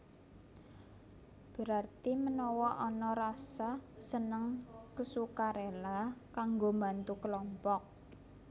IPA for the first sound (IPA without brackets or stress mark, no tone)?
b̥